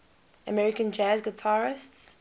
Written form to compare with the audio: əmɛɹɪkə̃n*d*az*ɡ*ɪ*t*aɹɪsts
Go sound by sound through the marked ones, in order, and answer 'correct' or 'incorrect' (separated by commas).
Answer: incorrect, correct, incorrect